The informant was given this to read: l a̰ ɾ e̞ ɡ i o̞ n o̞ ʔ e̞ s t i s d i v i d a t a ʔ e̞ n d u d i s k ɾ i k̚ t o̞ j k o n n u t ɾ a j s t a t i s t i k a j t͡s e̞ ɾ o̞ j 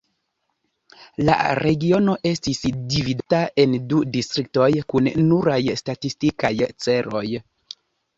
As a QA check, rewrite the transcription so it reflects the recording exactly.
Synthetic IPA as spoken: l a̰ ɾ e̞ ɡ i o̞ n o̞ ʔ e̞ s t i s d i v i d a t a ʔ e̞ n d u d i s t ɾ i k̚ t o̞ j k u n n u ɾ a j s t a t i s t i k a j t͡s e̞ ɾ o̞ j